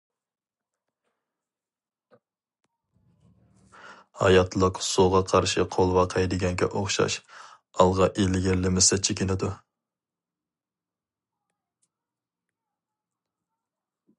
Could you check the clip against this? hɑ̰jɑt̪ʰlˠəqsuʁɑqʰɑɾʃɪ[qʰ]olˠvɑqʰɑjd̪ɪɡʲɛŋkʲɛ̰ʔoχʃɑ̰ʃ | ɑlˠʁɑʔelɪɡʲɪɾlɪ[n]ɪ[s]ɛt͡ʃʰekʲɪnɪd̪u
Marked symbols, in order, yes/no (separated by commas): yes, no, yes